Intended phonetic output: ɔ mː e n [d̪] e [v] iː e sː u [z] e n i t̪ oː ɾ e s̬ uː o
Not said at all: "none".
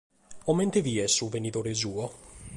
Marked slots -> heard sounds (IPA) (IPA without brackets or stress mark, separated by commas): t̪, v, v